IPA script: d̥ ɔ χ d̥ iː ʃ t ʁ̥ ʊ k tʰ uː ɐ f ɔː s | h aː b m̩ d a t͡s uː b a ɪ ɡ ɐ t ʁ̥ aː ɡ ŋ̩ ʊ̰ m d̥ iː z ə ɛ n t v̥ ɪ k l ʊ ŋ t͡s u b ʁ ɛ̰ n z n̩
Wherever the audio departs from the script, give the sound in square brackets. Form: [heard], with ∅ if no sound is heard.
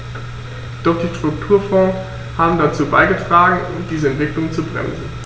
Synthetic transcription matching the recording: d̥ ɔ χ d̥ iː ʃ t ʁ̥ ʊ k tʰ uː ɐ f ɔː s | h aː b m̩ d a t͡s uː b a ɪ ɡ [ə] t ʁ̥ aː ɡ ŋ̩ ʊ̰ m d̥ iː z ə ɛ n t v̥ ɪ k l ʊ ŋ t͡s u b ʁ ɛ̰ [m] z n̩